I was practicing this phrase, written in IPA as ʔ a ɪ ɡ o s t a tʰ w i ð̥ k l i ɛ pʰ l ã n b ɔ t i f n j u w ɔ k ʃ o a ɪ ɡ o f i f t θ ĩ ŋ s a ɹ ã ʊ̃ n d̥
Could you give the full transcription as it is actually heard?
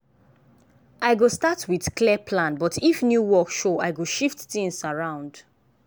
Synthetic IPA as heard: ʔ a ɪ ɡ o s t a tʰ w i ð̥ k l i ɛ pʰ l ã n b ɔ t i f n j u w ɔ k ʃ o a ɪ ɡ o ʃ i f t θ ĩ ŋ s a ɹ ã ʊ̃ n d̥